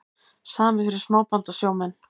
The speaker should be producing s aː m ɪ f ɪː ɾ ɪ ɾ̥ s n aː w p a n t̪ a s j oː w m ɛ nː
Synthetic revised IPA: s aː m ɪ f ɪ ɾ ɪ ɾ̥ s m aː w p a n t̪ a s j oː w m ɛ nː